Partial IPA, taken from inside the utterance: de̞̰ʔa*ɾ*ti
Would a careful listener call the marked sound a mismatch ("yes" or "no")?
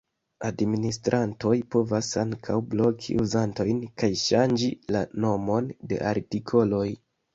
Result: no